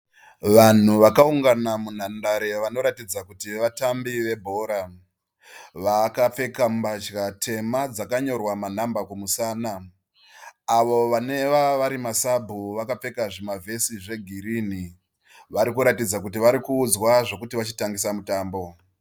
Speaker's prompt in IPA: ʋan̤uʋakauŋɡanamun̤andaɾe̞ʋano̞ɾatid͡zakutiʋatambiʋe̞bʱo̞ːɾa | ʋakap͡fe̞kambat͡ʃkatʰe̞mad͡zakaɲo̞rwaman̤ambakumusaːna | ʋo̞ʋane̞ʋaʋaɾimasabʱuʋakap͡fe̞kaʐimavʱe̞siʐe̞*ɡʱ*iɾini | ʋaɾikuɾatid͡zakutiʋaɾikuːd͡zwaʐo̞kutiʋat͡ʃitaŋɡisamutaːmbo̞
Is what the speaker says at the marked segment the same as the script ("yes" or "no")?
yes